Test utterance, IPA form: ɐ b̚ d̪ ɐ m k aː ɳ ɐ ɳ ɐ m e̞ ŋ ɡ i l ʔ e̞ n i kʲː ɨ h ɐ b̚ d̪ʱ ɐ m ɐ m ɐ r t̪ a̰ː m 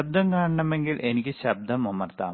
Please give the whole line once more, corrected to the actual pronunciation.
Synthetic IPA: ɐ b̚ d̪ ɐ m k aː ɳ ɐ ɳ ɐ m e̞ ŋ ɡ i l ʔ e̞ n i kʲː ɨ ɕ ɐ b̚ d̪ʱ ɐ m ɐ m ɐ r t̪ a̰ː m